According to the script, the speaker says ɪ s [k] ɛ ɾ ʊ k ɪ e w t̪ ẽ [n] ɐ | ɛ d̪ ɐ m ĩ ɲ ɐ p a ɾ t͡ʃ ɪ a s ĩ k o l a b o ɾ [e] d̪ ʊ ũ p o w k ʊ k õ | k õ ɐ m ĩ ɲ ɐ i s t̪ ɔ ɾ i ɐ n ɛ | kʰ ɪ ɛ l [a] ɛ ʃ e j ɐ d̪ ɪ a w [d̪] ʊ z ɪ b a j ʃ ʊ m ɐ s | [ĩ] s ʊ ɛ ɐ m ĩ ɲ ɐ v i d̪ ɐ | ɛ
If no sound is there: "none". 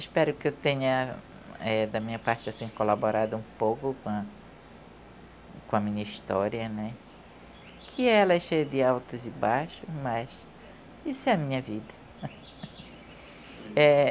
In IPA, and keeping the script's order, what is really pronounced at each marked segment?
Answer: p, ɲ, a, ɐ, t̪, i

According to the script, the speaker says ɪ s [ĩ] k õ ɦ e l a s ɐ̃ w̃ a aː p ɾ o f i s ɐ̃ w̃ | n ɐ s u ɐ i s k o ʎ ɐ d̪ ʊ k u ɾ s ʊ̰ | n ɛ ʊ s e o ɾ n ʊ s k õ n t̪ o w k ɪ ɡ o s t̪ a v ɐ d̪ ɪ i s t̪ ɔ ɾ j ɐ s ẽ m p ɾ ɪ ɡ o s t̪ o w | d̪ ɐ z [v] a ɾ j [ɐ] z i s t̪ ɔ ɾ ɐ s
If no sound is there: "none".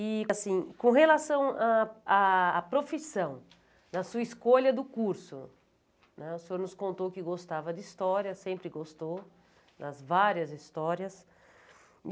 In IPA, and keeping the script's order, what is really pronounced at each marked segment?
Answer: ĩ, v, ɐ

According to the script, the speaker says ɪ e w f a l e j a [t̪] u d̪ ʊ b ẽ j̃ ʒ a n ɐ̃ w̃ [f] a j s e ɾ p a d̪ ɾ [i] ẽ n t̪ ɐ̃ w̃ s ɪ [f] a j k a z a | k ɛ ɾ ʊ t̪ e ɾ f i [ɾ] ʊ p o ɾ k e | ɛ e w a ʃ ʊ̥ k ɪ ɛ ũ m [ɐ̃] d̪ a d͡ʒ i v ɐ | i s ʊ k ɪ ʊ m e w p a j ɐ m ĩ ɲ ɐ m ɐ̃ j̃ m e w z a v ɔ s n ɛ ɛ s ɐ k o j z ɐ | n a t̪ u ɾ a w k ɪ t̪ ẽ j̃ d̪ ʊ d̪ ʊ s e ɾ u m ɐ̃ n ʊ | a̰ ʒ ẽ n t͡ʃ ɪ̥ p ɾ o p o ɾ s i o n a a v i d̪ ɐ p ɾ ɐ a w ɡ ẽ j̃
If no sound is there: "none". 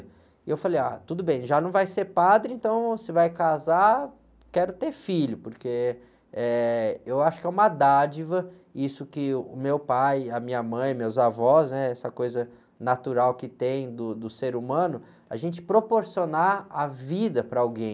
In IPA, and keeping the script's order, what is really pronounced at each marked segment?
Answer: t̪, v, ɪ, v, ʎ, ɐ

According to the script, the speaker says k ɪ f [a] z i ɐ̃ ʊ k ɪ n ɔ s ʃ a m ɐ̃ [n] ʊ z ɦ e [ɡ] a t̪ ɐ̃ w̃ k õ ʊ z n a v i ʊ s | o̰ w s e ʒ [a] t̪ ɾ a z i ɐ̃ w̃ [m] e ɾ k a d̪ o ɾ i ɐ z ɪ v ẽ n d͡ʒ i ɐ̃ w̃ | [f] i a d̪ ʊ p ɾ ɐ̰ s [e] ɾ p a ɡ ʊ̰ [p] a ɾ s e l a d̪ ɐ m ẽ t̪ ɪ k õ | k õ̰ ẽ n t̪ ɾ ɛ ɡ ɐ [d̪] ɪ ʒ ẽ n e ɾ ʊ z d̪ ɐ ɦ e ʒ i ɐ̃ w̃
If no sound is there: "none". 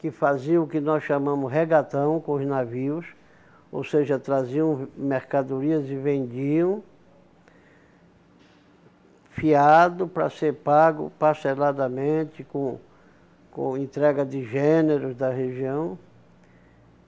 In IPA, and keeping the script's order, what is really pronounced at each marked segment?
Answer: a, m, ɡ, ɐ, m, f, e, p, d̪

